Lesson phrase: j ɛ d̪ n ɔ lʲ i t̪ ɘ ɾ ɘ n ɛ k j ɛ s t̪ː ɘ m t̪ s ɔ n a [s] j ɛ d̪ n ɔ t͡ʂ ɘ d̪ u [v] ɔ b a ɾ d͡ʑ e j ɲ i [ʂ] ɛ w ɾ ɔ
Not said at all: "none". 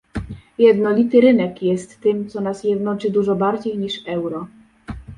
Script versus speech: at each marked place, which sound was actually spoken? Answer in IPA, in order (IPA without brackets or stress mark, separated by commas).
s, ʐ, ʂ